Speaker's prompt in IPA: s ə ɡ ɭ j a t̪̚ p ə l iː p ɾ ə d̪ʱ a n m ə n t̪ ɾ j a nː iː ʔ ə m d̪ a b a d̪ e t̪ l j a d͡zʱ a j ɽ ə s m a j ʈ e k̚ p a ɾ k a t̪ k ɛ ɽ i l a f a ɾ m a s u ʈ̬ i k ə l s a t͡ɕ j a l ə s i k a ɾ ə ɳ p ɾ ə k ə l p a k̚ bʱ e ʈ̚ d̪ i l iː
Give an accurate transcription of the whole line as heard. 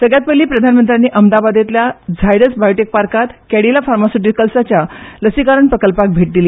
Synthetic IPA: s ə ɡ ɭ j a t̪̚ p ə l iː p ɾ ə d̪ʱ a n m ə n t̪ ɾ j a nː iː ʔ ə m d̪ a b a d̪ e t̪ l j a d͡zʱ a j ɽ ə s b a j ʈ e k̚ p a ɾ k a t̪ k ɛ ɽ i l a f a ɾ m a s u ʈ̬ i k ə l s a t͡ɕ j a l ə s i k a ɾ ə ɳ p ɾ ə k ə l p a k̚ bʱ e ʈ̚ d̪ i l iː